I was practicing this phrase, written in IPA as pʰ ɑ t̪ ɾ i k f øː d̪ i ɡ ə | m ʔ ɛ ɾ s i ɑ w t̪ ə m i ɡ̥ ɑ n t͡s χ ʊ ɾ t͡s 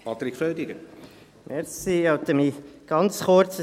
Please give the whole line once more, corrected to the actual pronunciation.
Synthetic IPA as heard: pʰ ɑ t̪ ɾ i k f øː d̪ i ɡ ə | m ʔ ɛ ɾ s i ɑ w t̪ ə m i ɡ̥ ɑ n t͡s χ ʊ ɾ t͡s